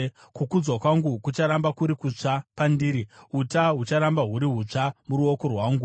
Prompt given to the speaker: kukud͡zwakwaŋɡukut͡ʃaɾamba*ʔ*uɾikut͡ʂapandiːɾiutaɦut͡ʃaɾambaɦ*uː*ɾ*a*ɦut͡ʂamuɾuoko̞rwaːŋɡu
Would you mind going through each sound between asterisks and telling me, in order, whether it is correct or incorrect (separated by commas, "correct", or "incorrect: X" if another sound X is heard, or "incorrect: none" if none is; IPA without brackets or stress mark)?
incorrect: k, incorrect: u, incorrect: i